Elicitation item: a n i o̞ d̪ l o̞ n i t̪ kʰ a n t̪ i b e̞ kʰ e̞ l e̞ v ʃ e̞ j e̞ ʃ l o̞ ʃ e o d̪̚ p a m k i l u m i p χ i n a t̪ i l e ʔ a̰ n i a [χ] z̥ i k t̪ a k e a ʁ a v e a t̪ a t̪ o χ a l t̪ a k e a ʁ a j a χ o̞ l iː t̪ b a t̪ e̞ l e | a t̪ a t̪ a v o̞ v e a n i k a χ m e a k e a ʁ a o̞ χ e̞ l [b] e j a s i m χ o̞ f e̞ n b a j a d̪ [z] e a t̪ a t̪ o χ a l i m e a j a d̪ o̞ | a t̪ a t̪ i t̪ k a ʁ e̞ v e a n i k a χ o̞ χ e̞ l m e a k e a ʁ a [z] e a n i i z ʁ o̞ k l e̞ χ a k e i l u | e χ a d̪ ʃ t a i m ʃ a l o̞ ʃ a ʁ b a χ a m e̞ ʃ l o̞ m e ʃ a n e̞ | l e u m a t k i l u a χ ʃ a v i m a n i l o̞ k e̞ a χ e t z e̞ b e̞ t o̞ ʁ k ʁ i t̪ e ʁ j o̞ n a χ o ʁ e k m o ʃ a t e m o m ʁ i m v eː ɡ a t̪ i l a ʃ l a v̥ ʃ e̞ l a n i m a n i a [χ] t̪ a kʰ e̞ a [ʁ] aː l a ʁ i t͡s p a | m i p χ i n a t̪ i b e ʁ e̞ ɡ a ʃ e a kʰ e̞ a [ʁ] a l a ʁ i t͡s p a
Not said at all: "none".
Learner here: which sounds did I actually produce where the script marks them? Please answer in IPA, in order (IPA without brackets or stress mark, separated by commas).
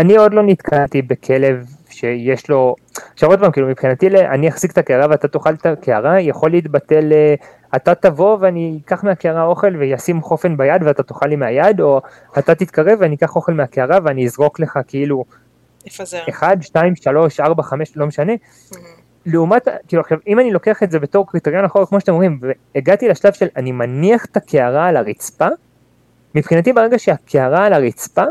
χ, v, v, v, χ, ʁ, ʁ